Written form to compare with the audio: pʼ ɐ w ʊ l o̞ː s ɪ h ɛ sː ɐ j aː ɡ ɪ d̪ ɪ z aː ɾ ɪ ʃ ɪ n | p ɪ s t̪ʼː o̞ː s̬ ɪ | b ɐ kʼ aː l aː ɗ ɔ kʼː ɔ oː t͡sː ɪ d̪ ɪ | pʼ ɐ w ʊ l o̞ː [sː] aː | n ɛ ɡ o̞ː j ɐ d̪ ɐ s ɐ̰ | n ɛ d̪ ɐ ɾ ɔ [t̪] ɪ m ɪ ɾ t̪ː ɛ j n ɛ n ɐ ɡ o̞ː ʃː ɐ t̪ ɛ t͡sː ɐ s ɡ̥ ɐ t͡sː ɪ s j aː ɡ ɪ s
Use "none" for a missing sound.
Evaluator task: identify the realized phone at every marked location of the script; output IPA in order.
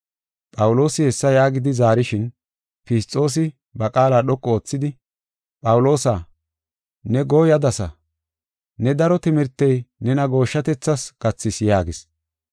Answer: s, t̪

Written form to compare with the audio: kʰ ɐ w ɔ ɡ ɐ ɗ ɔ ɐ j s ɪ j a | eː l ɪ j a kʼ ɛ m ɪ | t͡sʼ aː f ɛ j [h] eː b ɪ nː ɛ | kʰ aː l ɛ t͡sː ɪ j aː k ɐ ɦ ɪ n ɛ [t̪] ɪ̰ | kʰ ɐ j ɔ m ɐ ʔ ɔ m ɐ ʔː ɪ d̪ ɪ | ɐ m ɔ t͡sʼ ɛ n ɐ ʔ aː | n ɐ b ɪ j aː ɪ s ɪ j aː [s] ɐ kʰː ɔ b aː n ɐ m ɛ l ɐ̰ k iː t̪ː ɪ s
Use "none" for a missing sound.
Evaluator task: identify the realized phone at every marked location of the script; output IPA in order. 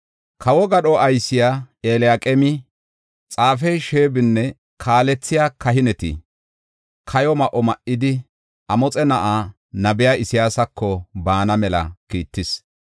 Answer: ʃ, t̪, s

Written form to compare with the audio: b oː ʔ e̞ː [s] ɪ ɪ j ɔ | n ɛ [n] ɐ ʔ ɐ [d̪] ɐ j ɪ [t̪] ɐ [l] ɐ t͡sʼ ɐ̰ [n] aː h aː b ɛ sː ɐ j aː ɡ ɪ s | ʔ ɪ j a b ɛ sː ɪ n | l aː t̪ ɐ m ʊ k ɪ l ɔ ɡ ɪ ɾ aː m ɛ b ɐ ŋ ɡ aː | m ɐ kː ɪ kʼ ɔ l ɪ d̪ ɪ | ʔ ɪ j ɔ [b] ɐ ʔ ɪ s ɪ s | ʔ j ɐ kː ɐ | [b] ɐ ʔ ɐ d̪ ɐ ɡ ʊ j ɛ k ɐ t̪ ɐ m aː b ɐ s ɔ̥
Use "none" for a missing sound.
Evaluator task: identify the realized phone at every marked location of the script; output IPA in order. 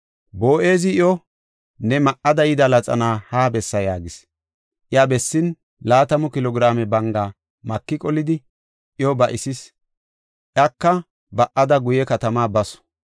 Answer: z, m, d̪, d̪, l, n, b, b

